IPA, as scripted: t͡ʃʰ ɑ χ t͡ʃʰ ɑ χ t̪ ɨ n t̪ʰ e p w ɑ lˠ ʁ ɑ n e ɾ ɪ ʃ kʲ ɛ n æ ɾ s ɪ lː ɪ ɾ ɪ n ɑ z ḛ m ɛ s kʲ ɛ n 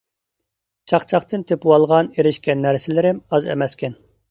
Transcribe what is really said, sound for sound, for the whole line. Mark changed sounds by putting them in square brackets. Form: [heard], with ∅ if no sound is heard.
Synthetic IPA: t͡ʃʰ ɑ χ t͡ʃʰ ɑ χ t̪ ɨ n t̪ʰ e p w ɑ lˠ ʁ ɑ n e ɾ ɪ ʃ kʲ ɛ [nː] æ ɾ s ɪ [l] ɪ ɾ ɪ [m] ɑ z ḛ m ɛ s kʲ ɛ n